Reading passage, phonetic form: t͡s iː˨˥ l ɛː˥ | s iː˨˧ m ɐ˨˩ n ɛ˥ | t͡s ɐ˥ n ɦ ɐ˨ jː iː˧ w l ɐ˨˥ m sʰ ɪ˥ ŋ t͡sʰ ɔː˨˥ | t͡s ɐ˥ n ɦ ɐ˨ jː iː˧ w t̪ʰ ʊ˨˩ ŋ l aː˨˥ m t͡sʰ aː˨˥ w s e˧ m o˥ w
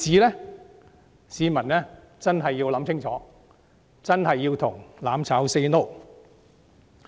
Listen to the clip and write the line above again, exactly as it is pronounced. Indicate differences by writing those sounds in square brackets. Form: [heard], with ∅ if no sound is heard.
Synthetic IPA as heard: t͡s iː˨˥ l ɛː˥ | s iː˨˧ m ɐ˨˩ n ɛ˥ | t͡s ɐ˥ n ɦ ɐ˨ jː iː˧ w l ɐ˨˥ m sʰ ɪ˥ ŋ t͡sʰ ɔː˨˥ | t͡s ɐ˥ n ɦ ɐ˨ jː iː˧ w t̪ʰ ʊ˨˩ ŋ l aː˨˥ m t͡sʰ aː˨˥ w s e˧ [n] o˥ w

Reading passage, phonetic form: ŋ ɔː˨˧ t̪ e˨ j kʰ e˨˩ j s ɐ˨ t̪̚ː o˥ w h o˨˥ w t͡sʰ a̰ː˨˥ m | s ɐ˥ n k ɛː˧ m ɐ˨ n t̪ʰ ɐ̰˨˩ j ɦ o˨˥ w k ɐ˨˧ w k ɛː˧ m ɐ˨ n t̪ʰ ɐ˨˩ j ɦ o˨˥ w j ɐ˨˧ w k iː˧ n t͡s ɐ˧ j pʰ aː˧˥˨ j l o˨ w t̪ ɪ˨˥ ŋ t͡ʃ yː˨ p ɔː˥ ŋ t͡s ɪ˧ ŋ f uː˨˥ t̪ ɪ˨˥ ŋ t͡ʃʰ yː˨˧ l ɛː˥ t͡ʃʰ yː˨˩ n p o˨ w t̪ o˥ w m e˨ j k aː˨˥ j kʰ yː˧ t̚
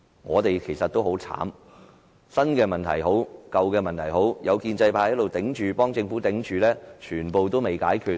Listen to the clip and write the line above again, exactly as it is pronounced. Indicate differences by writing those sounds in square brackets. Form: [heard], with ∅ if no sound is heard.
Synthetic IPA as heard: ŋ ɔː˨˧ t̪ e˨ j kʰ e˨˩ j s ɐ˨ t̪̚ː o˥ w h o˨˥ w t͡sʰ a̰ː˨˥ m | s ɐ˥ n k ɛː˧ m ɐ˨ n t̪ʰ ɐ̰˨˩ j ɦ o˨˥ w k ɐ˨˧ w k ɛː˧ m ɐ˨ n t̪ʰ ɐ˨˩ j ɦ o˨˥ w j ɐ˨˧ w k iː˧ n t͡s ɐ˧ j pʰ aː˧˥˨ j l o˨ w t̪ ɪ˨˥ ŋ t͡ʃ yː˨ p ɔː˥ ŋ t͡s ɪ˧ ŋ f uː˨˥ t̪ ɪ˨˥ ŋ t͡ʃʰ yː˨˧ l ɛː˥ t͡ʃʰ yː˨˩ n p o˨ w t̪ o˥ w m e˨ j k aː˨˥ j kʰ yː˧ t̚

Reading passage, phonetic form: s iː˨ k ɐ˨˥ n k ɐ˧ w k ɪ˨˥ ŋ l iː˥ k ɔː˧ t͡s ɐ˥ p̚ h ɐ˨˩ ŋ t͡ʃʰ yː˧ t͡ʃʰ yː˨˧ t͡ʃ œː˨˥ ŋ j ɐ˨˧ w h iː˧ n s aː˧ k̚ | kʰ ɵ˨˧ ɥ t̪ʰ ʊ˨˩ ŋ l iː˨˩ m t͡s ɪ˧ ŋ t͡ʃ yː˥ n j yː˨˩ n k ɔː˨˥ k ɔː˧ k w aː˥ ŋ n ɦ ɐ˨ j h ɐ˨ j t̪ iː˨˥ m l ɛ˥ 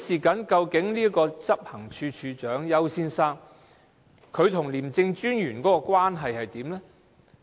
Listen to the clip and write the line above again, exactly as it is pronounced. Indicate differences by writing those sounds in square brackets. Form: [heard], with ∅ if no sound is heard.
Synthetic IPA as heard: s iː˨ k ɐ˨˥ n k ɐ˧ w k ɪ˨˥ ŋ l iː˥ k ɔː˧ t͡s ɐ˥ p̚ h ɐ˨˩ ŋ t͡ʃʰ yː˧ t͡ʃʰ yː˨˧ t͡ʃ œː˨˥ ŋ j ɐ˨˧ w [s] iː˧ n s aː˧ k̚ | kʰ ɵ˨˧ ɥ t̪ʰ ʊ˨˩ ŋ l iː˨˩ m t͡s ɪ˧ ŋ t͡ʃ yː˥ n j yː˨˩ n k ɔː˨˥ k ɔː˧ k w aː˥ [∅] n ɦ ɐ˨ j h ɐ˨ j t̪ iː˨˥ m l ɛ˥

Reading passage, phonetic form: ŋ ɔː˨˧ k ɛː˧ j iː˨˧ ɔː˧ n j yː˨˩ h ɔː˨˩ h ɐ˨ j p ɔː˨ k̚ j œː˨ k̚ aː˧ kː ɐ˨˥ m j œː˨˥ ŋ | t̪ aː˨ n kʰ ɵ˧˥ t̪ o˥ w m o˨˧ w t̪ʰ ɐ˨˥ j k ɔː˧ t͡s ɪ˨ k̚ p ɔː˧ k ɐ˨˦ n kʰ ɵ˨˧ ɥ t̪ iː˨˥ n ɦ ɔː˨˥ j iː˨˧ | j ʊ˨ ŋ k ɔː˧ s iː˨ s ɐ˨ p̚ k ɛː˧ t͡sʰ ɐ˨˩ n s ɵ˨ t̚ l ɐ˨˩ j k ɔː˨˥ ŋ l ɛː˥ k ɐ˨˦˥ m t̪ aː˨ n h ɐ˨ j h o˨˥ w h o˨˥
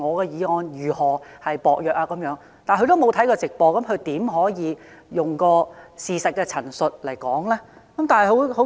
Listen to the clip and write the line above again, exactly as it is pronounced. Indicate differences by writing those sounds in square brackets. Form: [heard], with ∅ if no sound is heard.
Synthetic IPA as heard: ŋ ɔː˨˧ k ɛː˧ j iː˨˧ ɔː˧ n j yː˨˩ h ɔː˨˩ h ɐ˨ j p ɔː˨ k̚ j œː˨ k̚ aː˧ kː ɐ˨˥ m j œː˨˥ ŋ | t̪ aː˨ n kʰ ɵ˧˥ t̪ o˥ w m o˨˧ w t̪ʰ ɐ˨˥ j k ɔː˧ t͡s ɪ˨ k̚ p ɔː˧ k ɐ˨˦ [m] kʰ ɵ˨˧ ɥ t̪ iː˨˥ [m] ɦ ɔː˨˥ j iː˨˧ | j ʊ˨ ŋ k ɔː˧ s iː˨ s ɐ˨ [t̚] k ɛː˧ t͡sʰ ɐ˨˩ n s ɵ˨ t̚ l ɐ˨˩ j k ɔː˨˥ ŋ l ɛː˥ k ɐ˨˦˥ m t̪ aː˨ n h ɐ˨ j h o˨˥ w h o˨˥

